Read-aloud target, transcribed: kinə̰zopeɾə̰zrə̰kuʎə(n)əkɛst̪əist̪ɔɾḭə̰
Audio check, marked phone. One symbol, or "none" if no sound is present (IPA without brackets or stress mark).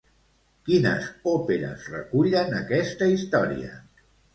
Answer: n